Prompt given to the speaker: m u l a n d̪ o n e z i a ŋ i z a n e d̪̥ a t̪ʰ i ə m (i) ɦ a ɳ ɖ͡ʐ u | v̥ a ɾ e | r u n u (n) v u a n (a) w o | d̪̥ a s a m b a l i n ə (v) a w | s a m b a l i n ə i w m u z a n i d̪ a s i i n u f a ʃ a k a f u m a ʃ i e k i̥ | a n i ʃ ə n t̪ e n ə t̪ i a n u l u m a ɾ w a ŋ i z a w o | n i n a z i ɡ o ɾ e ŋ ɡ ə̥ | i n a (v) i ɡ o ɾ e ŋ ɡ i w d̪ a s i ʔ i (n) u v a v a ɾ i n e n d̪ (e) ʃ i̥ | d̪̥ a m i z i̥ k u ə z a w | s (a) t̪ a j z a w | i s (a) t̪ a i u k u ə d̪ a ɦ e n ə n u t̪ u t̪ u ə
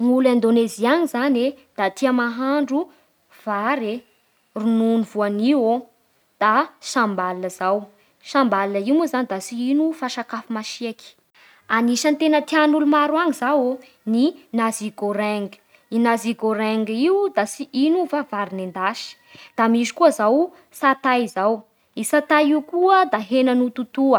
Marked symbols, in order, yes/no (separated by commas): no, yes, no, no, no, yes, no, yes, yes